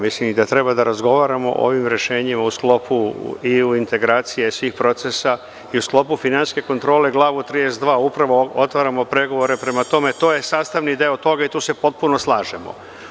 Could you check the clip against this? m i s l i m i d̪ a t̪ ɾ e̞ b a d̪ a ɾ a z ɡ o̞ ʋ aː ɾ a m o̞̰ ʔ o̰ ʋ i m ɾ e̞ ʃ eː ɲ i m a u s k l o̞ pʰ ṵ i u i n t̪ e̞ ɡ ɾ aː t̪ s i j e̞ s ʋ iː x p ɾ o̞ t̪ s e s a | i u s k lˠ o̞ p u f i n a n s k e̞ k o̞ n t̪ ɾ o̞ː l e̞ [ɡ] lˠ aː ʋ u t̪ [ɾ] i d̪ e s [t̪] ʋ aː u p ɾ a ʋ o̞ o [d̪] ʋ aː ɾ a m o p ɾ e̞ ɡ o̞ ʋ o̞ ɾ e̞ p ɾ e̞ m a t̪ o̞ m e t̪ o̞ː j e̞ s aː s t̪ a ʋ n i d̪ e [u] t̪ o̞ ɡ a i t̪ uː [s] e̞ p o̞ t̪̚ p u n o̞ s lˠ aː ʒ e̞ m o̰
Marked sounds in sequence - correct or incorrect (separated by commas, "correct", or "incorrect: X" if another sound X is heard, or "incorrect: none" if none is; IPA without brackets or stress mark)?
correct, correct, incorrect: d̪, incorrect: t̪, incorrect: o, correct